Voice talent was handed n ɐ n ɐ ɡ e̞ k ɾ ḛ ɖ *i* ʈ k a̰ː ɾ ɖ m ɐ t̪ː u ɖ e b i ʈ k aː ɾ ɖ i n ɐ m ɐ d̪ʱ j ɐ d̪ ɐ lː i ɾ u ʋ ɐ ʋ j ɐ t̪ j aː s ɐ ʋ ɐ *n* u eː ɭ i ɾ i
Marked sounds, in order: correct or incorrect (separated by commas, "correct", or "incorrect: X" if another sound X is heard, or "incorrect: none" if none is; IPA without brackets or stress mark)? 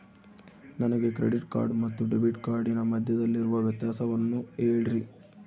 correct, incorrect: nː